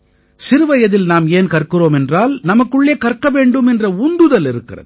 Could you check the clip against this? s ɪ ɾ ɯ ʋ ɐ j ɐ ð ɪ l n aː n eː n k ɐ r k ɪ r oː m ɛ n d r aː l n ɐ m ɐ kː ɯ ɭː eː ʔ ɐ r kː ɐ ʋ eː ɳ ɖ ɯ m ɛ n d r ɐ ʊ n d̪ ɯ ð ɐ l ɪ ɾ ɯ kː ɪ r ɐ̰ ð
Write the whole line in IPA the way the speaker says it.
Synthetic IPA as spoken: s ɪ ɾ ɯ ʋ ɐ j ɐ ð ɪ l n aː m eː n k ɐ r k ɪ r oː m ɛ n d r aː l n ɐ m ɐ kː ɯ ɭː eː k ɐ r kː ɐ ʋ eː ɳ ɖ ɯ m ɛ n d r ɐ ʊ n d̪ ɯ ð ɐ l ɪ ɾ ɯ kː ɪ r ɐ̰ ð